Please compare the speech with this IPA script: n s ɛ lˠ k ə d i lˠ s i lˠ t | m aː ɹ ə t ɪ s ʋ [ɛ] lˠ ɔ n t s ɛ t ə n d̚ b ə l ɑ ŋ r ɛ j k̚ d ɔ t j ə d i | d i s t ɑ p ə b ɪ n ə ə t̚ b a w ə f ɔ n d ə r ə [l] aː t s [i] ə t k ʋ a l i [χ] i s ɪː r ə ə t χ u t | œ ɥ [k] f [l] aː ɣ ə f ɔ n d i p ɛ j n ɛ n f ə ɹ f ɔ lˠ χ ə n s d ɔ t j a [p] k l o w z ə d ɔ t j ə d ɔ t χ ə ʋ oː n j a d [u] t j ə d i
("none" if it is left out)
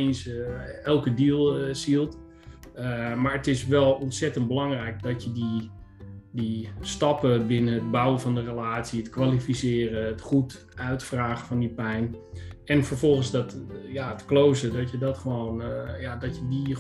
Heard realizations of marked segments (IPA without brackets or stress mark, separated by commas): ɛ, l, i, f, t, r, t, ɔ